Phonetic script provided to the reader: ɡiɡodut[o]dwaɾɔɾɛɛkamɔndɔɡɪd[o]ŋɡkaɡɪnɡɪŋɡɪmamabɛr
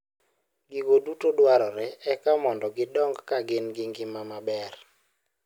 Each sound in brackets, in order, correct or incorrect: correct, incorrect

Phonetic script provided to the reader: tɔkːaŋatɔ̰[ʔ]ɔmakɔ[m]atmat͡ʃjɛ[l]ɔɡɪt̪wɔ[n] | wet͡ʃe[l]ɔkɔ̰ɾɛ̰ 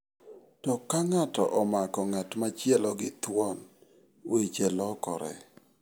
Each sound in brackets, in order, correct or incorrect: correct, incorrect, correct, correct, correct

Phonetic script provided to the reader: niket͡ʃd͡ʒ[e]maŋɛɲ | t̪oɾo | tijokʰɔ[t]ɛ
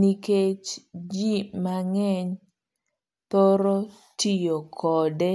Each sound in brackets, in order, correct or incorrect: incorrect, incorrect

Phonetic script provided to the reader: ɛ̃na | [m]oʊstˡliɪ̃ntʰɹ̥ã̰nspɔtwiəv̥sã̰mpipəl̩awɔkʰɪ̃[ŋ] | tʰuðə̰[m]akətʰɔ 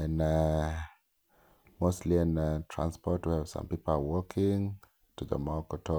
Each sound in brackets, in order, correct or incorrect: correct, correct, correct

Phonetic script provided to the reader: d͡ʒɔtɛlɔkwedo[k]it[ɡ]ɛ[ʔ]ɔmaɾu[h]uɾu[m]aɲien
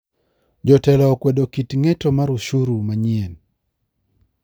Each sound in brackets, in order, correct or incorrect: correct, incorrect, incorrect, incorrect, correct

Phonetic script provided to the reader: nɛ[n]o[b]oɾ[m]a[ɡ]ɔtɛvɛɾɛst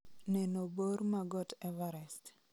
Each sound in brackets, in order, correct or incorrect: correct, correct, correct, correct

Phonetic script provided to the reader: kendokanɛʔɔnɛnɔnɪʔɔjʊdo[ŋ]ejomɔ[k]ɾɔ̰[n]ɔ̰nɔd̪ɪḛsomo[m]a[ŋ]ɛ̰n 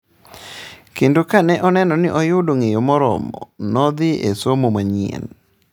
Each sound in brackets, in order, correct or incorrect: correct, incorrect, incorrect, correct, incorrect

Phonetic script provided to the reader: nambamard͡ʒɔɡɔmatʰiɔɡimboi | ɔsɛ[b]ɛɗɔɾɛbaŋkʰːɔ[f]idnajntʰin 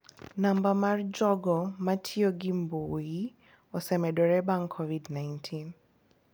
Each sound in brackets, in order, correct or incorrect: incorrect, incorrect

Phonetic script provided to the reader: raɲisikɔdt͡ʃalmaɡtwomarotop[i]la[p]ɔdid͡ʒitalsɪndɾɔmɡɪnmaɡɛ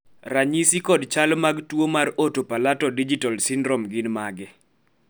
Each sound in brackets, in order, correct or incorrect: incorrect, incorrect

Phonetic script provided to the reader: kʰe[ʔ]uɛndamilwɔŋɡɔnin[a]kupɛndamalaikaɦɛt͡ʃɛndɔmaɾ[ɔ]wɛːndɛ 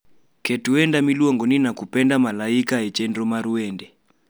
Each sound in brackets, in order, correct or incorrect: incorrect, correct, incorrect

